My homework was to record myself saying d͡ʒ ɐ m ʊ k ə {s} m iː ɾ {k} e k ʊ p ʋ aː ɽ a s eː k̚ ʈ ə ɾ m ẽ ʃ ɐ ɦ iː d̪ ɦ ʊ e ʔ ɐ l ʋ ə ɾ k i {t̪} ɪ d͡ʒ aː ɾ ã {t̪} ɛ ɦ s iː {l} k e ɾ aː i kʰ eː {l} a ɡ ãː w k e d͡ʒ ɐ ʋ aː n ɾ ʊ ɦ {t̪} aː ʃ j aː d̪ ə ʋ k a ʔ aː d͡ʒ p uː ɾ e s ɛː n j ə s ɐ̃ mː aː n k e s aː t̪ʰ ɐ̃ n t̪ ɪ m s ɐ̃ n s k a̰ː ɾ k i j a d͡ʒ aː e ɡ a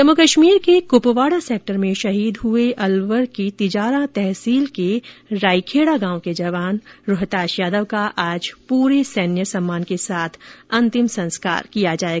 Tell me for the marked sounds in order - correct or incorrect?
incorrect: ʃ, correct, correct, correct, correct, incorrect: ɽ, correct

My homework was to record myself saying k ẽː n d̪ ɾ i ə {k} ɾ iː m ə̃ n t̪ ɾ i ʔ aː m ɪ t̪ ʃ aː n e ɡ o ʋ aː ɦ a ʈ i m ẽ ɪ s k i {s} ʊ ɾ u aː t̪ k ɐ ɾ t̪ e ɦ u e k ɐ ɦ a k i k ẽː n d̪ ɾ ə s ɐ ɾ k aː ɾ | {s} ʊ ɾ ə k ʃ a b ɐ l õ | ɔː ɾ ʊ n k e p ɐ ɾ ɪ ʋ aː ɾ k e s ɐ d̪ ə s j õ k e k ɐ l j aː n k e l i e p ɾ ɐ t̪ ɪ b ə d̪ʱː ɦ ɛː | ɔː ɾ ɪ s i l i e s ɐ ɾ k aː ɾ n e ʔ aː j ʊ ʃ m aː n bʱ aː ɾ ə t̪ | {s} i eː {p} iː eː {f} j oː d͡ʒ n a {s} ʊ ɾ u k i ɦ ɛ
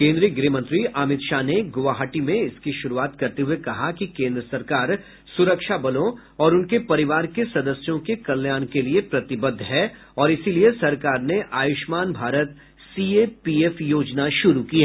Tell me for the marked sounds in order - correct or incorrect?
incorrect: ɡ, incorrect: ʃ, correct, correct, correct, correct, incorrect: ʃ

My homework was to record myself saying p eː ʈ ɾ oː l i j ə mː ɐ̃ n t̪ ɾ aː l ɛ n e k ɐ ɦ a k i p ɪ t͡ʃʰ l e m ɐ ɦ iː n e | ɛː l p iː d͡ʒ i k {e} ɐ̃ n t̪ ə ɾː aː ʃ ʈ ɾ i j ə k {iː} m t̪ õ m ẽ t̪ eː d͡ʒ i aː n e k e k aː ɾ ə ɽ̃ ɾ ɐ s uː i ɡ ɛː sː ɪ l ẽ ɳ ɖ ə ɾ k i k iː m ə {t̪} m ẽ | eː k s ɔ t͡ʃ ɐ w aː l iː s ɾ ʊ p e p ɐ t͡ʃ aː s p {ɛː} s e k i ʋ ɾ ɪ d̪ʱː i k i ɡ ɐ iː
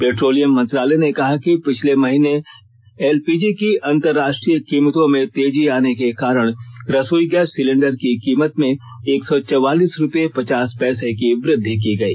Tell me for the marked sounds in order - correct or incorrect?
incorrect: i, correct, correct, correct

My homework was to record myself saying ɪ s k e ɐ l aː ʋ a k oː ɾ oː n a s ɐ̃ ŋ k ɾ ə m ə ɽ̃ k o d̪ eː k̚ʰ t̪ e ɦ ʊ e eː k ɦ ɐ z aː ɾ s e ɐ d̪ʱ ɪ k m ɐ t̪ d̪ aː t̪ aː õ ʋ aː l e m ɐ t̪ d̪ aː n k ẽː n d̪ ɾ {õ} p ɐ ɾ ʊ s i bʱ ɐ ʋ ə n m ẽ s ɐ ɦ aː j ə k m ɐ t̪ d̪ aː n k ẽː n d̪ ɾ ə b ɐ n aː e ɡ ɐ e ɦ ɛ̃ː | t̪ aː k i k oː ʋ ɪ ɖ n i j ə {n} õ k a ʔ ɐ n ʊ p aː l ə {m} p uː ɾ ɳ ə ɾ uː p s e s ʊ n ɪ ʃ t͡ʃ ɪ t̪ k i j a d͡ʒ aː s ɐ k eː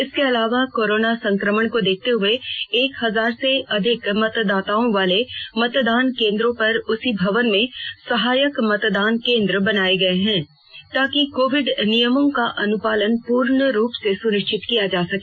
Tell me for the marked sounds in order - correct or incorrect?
correct, incorrect: m, incorrect: n

